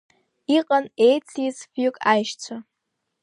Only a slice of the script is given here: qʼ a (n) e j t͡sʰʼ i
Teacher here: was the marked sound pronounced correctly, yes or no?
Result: yes